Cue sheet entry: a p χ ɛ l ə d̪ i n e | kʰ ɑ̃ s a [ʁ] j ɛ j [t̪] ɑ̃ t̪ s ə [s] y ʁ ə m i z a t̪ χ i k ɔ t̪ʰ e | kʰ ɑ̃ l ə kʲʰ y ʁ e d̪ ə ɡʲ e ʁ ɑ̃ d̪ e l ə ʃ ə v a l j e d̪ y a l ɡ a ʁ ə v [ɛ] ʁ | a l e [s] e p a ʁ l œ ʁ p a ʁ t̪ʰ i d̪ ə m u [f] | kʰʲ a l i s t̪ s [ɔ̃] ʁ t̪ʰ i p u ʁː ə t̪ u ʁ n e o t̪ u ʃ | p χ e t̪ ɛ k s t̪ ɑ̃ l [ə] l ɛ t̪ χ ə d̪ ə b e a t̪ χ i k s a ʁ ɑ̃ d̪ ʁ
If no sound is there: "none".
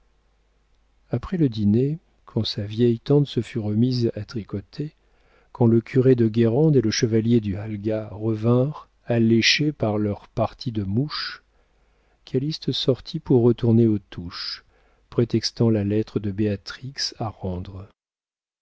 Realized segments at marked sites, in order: v, t̪, f, ɛ̃, ʃ, ʃ, ɔ, a

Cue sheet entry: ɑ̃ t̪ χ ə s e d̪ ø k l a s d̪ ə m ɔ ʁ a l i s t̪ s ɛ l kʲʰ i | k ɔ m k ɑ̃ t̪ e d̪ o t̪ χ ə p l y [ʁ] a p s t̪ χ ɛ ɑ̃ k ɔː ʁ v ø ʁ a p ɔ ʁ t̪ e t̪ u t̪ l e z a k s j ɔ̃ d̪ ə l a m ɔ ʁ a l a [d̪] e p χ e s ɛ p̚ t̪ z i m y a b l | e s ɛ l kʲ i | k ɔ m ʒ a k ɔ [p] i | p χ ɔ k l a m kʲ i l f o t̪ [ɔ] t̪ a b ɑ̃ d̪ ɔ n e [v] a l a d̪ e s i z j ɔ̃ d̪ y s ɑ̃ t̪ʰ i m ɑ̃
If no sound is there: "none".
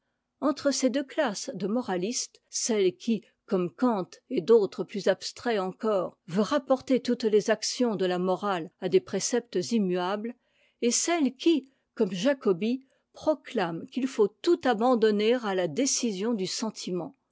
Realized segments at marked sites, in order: z, d̪, b, u, ʁ

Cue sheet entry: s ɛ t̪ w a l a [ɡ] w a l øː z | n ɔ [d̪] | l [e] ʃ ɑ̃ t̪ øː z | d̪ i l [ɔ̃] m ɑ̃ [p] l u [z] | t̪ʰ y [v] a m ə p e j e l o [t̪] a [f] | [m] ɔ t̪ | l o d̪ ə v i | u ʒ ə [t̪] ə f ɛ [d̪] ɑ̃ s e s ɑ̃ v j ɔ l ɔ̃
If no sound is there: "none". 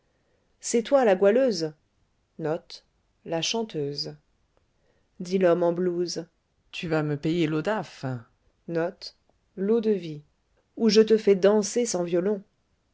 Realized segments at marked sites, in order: ɡ, t̪, a, ɔ, b, z, v, d̪, f, n, t̪, d̪

